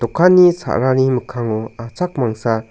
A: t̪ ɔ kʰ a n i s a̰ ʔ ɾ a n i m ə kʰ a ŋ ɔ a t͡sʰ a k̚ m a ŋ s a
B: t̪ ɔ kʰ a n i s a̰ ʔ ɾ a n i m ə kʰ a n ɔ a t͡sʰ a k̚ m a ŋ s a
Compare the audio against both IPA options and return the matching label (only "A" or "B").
A